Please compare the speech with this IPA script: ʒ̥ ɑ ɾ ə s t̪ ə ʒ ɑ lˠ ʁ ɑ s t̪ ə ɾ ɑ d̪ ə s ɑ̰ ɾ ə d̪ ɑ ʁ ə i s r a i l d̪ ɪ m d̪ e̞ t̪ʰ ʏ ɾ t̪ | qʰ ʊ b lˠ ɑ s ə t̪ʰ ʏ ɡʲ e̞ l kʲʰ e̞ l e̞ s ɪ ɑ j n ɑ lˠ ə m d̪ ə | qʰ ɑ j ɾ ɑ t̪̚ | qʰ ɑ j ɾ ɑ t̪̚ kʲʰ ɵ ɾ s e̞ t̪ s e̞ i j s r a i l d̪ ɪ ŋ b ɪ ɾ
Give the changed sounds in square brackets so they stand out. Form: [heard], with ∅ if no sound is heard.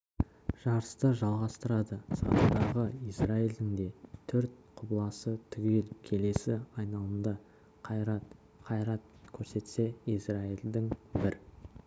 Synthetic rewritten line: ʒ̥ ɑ ɾ ə s t̪ ə ʒ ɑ lˠ ʁ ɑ s t̪ ə ɾ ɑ d̪ ə s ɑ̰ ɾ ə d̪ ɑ ʁ ə i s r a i l d̪ ɪ [ŋ] d̪ e̞ t̪ʰ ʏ ɾ t̪ | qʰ ʊ b lˠ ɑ s ə t̪ʰ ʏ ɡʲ e̞ l kʲʰ e̞ l e̞ s ɪ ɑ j n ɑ lˠ ə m d̪ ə | qʰ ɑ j ɾ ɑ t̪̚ | qʰ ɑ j ɾ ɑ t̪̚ kʲʰ ɵ ɾ s e̞ t̪ s e̞ i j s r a i l d̪ ɪ ŋ b ɪ ɾ